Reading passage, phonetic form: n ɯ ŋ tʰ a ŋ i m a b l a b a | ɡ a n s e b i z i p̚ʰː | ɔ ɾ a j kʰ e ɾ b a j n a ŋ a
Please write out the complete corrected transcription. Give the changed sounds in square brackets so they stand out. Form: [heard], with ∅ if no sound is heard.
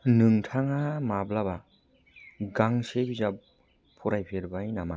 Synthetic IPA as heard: n ɯ ŋ tʰ a ŋ [a] m a b l a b a | ɡ a [ŋ] s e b i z [a] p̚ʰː | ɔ ɾ a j [pʰ] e ɾ b a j n a [m] a